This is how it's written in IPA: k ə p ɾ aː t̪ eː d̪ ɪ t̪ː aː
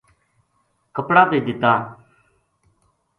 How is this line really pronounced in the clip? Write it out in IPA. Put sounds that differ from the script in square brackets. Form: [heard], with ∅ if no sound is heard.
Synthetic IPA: k ə p [ɽ] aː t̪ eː d̪ ɪ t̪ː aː